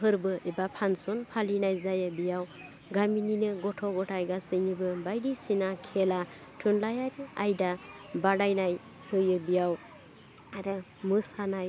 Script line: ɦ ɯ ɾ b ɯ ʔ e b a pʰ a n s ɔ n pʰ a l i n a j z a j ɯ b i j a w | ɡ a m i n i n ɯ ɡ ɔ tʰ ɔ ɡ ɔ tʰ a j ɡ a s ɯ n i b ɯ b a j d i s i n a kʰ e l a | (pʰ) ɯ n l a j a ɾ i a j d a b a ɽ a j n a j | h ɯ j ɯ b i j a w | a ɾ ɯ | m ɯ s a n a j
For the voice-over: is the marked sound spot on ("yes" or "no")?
no